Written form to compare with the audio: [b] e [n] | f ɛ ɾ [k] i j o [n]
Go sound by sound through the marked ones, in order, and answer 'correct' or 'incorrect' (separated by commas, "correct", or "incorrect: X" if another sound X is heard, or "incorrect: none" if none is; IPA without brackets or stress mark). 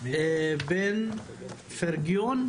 correct, correct, incorrect: ɡ, correct